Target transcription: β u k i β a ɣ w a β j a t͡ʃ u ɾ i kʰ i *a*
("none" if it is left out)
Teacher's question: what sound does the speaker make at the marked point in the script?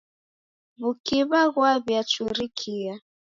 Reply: a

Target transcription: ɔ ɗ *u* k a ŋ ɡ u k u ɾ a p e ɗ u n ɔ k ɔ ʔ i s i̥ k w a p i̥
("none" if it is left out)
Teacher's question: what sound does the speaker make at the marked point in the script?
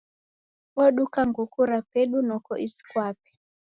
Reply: u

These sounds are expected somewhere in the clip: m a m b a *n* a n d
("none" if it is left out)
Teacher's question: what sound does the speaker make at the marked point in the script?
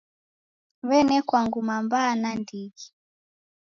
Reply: n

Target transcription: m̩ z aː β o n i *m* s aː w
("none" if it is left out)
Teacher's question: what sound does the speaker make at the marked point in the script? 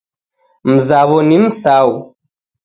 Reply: m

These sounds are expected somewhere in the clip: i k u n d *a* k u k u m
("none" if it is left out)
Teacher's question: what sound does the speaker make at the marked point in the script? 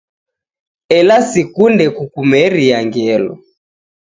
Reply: ɛ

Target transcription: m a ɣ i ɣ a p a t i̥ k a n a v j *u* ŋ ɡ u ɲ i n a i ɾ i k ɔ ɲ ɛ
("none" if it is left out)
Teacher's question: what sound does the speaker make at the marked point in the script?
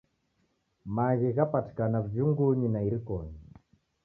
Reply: u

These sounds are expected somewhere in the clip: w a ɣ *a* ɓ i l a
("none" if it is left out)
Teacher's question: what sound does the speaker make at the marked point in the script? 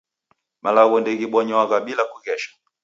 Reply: a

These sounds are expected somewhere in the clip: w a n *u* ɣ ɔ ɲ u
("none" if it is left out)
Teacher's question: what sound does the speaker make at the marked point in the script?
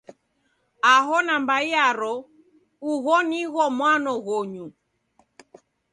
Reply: ɔ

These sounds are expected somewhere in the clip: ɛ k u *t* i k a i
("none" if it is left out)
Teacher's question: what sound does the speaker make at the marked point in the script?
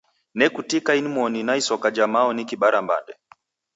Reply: t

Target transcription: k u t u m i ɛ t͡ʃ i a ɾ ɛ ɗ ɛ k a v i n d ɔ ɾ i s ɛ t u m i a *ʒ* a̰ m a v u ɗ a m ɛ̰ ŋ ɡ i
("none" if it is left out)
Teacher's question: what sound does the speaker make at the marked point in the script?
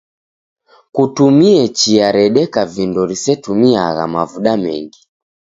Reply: ɣ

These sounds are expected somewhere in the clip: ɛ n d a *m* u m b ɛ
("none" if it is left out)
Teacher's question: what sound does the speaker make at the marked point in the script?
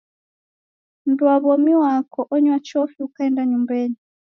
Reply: ɲ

